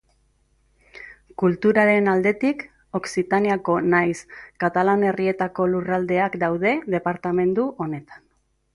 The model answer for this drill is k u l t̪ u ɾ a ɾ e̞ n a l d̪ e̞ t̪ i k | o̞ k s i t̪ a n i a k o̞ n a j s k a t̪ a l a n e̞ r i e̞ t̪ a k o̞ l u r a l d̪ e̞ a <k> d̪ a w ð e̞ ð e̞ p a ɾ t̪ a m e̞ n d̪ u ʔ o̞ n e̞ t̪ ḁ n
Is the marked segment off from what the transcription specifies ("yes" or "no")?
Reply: no